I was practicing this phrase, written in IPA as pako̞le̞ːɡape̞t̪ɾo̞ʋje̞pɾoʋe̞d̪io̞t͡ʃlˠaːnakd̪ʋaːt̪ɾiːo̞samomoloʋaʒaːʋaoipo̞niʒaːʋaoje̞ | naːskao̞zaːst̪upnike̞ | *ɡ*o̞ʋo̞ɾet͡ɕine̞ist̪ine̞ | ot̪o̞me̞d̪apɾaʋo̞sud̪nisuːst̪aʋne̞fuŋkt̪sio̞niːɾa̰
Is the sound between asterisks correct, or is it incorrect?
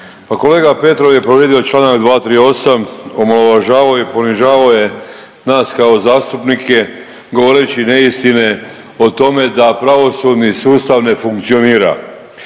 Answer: correct